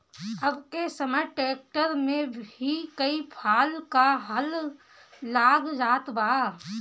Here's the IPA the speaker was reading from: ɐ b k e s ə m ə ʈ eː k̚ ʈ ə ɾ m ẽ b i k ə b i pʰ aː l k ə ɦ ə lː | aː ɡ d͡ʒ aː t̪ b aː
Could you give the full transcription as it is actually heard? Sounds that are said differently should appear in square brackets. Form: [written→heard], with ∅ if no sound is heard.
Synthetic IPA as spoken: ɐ b k e s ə m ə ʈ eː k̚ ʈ ə ɾ m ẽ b i k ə [b→∅] i pʰ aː l k [ə→a] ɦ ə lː | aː ɡ d͡ʒ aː t̪ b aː